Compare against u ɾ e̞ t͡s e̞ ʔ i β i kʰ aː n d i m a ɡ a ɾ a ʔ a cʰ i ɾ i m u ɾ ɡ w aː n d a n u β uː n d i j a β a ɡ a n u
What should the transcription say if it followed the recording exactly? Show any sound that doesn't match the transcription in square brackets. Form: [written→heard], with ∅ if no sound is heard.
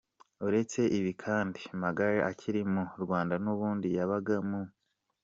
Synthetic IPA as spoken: u ɾ e̞ t͡s e̞ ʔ i β i kʰ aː n d i m a ɡ a ɾ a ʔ a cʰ i ɾ i m u ɾ ɡ w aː n d a n u β uː n d i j a β a ɡ a [n→m] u

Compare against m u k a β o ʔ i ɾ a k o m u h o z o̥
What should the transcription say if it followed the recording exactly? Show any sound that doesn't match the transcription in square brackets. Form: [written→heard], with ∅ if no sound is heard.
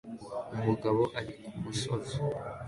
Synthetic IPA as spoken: m u [k→ɡ] a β o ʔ [i→a] ɾ [a→i] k [o→u] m u [h→s] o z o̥

